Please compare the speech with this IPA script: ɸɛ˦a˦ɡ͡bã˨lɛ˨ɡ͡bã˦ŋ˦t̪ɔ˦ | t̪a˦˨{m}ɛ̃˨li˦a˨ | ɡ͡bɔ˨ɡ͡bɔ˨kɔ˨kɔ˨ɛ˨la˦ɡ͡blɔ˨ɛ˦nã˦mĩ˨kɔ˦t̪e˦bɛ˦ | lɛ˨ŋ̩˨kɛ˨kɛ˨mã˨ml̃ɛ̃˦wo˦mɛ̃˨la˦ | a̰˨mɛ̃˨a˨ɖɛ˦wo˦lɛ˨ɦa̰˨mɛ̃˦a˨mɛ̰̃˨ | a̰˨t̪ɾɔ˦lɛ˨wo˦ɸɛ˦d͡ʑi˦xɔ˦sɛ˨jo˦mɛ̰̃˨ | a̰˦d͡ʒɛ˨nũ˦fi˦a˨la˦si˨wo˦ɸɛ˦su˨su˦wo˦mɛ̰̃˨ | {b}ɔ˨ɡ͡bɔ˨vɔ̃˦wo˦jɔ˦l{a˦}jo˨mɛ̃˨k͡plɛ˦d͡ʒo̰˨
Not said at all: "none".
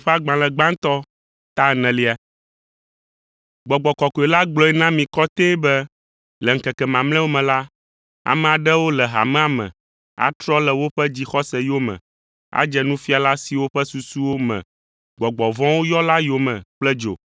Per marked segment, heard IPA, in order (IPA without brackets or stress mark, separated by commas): n, ɡ͡b, a˦